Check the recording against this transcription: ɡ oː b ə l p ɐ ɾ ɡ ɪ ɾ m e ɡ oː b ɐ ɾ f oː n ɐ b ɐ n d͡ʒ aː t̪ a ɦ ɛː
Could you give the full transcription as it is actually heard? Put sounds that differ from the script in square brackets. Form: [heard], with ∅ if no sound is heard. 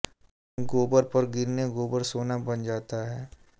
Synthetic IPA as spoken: ɡ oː b ə [ɾ] p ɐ ɾ ɡ ɪ ɾ [n] e ɡ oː b [ə] ɾ [s] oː n [a] b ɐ n d͡ʒ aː t̪ a ɦ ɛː